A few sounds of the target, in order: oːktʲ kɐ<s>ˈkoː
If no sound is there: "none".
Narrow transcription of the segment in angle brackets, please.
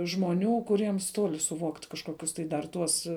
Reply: ʃ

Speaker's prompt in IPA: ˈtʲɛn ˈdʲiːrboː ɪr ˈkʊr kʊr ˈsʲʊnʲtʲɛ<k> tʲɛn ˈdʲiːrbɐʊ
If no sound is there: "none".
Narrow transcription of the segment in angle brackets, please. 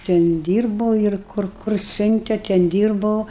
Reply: none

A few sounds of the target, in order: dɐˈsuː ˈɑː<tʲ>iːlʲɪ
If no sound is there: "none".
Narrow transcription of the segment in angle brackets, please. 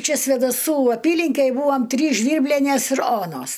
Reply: pʲ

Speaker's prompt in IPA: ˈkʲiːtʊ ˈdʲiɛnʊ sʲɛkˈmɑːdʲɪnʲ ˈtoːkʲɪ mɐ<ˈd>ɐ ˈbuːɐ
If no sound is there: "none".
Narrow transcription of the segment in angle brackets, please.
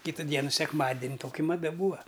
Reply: d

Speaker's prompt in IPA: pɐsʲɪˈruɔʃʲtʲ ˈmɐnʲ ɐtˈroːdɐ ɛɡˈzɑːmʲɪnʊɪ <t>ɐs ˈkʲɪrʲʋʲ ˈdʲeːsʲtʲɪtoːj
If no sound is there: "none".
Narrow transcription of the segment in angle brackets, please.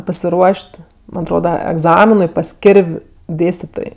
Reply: p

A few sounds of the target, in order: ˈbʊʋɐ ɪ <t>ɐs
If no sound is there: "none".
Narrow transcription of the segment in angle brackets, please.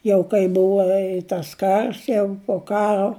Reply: t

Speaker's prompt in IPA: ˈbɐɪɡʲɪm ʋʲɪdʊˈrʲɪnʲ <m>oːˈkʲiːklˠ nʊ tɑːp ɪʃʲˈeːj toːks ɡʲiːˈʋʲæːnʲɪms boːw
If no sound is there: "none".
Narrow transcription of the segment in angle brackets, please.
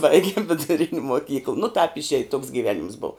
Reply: m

